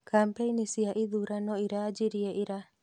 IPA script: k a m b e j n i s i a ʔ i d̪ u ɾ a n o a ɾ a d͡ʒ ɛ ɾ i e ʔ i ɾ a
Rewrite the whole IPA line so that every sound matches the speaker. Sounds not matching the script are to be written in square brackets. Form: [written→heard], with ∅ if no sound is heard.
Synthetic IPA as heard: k a m [b→p] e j n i s i a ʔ i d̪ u ɾ a n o [a→i] ɾ a d͡ʒ [ɛ→i] ɾ i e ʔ i ɾ a

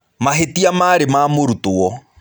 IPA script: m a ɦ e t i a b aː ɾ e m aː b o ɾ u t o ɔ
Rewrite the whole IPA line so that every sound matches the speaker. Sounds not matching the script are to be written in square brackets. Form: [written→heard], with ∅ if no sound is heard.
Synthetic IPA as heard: m a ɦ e t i a [b→m] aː ɾ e m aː [b→m] o ɾ u t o ɔ

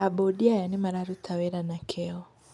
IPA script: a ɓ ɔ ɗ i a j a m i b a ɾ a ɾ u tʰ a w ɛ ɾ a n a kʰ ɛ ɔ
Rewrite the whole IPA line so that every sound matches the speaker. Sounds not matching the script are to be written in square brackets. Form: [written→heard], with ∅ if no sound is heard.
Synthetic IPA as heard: a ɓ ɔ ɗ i a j a [m→n] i [b→m] a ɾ a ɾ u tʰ a w ɛ ɾ a n a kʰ ɛ ɔ

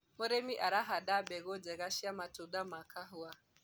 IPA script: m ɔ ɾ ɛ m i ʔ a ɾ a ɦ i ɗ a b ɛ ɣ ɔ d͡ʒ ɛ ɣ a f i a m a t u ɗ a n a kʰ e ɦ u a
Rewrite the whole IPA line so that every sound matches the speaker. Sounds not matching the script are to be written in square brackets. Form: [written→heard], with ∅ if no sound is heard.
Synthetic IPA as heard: m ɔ ɾ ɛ m i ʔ a ɾ a ɦ [i→a] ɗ a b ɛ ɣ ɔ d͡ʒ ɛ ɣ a [f→ʃ] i a m a t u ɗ a [n→m] a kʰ [e→a] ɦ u a

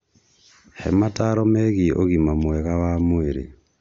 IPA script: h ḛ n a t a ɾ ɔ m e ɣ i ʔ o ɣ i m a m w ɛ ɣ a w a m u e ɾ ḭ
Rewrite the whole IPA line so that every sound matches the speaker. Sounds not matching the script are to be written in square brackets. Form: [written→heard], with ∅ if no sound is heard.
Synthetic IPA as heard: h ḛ [n→m] a t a ɾ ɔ m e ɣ i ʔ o ɣ i m a m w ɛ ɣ a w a m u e ɾ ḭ

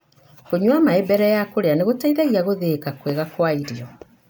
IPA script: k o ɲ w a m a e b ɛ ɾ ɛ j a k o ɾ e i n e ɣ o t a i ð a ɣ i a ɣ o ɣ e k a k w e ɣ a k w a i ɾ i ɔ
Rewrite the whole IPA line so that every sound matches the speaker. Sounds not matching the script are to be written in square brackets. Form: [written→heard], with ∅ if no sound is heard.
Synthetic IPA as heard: k o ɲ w a m a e b ɛ ɾ ɛ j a k o ɾ e [i→a] n e ɣ o t a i ð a ɣ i a ɣ o [ɣ→ð] e k a k w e ɣ a k w a i ɾ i ɔ

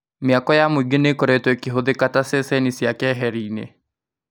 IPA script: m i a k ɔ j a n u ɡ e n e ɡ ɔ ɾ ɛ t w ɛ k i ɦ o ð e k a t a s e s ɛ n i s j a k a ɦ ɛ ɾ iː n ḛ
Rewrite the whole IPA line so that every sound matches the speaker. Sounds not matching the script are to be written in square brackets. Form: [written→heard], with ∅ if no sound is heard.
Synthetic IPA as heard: m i a k ɔ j a [n→m] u ɡ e n e [ɡ→k] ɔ ɾ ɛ t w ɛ k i ɦ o ð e k a t a s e s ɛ n i s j a k [a→ɛ] ɦ ɛ ɾ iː n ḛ

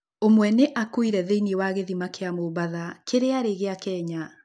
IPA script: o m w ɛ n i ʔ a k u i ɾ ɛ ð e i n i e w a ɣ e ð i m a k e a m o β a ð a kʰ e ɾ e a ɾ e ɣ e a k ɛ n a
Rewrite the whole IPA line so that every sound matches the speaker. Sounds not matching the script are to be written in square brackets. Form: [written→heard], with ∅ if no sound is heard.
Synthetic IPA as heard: o m w ɛ n [i→e] ʔ a k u i ɾ ɛ ð e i n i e w a ɣ e ð i m a k e a m o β a ð a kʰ e ɾ e a ɾ e ɣ e a k ɛ [n→ɲ] a

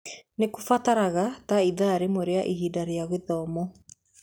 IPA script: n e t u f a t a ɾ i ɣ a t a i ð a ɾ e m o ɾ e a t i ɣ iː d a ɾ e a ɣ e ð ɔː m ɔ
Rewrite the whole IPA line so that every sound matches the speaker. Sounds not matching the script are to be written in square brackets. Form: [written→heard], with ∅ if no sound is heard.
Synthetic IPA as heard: n e [t→k] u f a t a ɾ [i→a] ɣ a t a i ð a ɾ e m o ɾ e a [t→ʔ] i ɣ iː d a ɾ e a ɣ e ð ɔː m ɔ

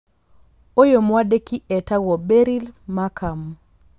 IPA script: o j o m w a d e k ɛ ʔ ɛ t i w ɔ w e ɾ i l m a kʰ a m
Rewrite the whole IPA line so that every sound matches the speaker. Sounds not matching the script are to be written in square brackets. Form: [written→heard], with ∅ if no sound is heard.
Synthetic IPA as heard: o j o m w a d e k [ɛ→i] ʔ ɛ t [i→a] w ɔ [w→b] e ɾ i l m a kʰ a m

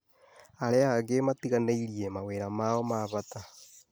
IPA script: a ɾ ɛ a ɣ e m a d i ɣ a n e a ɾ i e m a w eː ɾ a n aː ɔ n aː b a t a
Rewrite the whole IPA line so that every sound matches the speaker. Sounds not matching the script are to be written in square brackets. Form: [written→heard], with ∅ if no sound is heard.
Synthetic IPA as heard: a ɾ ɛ a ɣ e m a [d→t] i ɣ a n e [a→i] ɾ i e m a w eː ɾ a [n→m] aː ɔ [n→m] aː [b→β] a t a

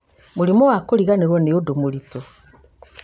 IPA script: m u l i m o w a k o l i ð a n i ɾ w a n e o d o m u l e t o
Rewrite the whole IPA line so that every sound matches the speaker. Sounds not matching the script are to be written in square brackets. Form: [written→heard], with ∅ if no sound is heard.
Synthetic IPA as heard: m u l i m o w a k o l i [ð→ɣ] a n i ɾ w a n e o d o m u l [e→i] t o

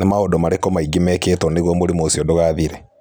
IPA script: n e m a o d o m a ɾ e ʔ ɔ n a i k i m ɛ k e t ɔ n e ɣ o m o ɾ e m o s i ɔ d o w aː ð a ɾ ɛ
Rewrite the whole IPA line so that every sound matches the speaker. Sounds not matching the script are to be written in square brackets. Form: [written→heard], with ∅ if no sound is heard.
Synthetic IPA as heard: n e m a o d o m a ɾ e [ʔ→k] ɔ [n→m] a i [k→ɡ] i m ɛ k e t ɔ n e ɣ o m o ɾ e m o s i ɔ d o [w→ɣ] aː ð [a→i] ɾ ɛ

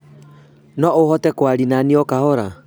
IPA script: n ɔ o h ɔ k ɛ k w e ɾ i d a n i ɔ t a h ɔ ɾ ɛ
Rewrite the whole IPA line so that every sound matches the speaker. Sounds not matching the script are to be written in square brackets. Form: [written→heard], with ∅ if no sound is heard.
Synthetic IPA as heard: n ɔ o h ɔ [k→t] ɛ k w [e→a] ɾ i [d→n] a n i ɔ [t→k] a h ɔ ɾ [ɛ→a]

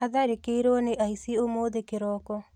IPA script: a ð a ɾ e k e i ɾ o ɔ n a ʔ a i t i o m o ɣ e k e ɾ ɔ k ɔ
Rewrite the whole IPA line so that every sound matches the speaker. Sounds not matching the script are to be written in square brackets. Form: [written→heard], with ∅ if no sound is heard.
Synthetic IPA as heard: a ð a ɾ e k e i ɾ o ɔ n [a→e] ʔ a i [t→s] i o m o [ɣ→ð] e k e ɾ ɔ k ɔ

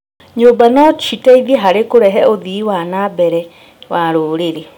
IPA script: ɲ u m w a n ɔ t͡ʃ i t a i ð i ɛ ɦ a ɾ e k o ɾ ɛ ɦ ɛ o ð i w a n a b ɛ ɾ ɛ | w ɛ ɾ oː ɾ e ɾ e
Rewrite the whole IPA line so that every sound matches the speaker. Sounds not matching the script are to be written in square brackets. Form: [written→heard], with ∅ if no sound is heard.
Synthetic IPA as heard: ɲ [u→o] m [w→b] a n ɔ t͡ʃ i t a i ð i ɛ ɦ a ɾ e k o ɾ ɛ ɦ ɛ o ð i w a n a b ɛ ɾ ɛ | w [ɛ→a] ɾ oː ɾ e ɾ e

